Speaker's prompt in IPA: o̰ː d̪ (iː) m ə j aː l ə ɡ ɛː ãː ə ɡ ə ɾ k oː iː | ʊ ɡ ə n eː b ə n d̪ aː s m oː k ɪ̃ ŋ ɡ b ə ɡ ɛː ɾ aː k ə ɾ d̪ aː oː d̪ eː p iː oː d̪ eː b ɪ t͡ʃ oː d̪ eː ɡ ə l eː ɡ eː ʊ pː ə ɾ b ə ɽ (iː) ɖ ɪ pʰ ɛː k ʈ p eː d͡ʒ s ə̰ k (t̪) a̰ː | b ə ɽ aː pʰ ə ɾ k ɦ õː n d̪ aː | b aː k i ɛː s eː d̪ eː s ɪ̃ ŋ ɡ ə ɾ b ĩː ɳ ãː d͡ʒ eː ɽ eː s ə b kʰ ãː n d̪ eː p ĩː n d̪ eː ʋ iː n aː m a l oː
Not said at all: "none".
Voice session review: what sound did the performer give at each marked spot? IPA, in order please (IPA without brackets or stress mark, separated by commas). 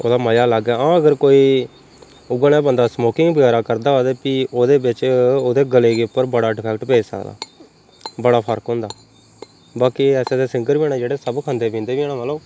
aː, aː, d̪